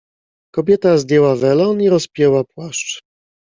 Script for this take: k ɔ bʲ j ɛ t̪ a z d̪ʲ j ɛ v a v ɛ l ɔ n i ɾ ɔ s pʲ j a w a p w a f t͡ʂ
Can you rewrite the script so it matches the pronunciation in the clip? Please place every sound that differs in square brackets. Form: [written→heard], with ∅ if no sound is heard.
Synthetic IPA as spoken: k ɔ bʲ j ɛ t̪ a z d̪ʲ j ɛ [v→w] a v ɛ l ɔ n i ɾ ɔ s pʲ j [a→ɛ] w a p w a [f→ʂ] t͡ʂ